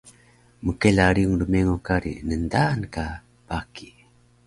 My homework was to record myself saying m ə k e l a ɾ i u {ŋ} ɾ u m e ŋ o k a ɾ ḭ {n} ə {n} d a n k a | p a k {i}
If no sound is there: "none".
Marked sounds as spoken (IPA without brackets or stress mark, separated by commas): ŋ, n, n, i